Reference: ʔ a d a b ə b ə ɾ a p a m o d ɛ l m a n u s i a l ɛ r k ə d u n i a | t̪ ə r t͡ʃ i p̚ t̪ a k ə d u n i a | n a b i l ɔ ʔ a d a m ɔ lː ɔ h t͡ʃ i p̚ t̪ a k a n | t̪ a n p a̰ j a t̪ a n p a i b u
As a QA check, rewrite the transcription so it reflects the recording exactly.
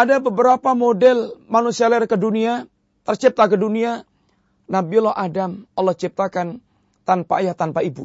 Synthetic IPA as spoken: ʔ a d a b ə b ə ɾ a p a m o d ɛ l m a n u s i a l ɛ r k ə d u n i a | t̪ ə r t͡ʃ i p̚ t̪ a k ə d u n i a | n a b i l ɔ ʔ a d a m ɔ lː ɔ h t͡ʃ i p̚ t̪ a k a n | t̪ a n p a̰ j a t̪ a n p a i b u